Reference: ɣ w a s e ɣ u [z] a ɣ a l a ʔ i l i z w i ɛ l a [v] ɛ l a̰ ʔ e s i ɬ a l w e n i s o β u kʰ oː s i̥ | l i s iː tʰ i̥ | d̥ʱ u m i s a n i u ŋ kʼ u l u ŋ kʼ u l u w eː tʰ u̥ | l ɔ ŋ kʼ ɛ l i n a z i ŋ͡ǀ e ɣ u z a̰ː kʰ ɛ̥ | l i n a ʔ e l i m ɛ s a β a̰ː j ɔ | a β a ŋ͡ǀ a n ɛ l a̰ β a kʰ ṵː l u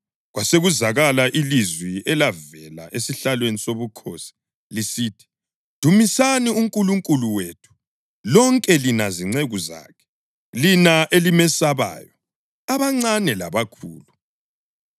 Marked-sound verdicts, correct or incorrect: correct, correct

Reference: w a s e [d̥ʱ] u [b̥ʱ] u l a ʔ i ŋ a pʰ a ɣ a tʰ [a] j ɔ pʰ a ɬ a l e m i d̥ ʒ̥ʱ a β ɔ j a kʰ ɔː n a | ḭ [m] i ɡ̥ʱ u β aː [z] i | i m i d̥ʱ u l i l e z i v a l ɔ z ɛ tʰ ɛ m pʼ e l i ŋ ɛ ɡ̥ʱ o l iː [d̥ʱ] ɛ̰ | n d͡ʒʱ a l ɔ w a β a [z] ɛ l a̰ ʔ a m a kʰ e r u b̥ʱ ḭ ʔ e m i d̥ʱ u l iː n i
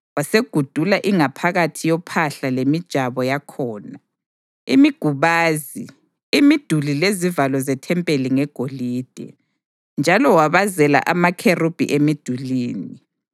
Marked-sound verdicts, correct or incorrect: incorrect, incorrect, incorrect, correct, correct, correct, correct

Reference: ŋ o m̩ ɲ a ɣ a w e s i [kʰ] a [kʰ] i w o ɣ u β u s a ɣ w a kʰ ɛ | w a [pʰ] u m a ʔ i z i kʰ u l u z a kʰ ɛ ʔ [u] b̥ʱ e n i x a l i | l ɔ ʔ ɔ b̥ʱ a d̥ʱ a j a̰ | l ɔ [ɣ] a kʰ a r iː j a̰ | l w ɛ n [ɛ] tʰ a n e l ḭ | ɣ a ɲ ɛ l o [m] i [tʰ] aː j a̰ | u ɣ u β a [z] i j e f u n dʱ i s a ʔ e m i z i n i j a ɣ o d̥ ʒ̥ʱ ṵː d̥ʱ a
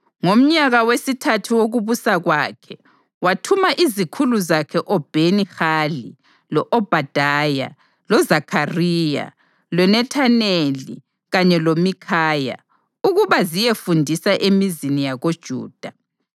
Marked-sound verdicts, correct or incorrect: incorrect, incorrect, incorrect, incorrect, incorrect, correct, correct, incorrect, correct

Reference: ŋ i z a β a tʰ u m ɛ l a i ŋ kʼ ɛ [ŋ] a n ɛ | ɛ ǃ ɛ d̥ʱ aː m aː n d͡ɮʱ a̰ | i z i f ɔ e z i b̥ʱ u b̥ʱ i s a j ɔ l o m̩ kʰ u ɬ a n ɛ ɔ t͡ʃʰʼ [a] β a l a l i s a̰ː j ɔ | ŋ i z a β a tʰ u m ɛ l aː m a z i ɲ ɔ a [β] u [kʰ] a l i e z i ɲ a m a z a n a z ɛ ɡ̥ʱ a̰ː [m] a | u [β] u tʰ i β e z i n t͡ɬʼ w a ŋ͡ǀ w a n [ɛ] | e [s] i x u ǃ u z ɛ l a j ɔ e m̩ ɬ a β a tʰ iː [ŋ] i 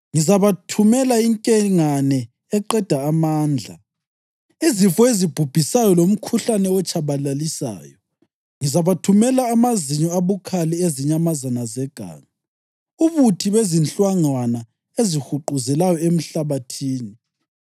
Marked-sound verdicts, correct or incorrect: correct, correct, correct, correct, incorrect, correct, incorrect, incorrect, incorrect

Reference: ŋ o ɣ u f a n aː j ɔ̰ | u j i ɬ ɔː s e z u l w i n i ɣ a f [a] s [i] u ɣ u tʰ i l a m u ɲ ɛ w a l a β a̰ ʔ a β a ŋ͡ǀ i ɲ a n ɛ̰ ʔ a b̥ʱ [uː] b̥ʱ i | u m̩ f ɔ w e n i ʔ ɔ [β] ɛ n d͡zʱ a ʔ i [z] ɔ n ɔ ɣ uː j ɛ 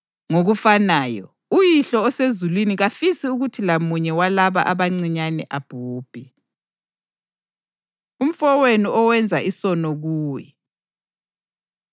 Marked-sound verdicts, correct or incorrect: incorrect, correct, correct, incorrect, incorrect

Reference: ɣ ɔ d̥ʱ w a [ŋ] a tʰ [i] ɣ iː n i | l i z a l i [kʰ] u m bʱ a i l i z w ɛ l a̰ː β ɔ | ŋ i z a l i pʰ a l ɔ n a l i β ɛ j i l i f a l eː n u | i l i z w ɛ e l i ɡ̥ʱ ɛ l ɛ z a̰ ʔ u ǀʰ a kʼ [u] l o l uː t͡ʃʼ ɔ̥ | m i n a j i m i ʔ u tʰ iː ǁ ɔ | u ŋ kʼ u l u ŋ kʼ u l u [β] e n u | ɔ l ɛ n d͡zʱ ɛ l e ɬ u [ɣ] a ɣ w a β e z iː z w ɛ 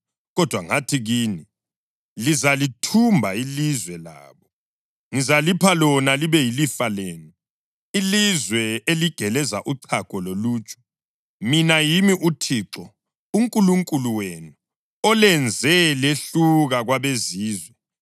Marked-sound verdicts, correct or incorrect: correct, correct, incorrect, incorrect, incorrect, correct

